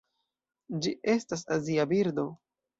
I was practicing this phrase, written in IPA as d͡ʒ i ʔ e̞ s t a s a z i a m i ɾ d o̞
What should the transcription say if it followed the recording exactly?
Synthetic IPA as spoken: d͡ʒ i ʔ e̞ s t a s a z i a b i ɾ d o̞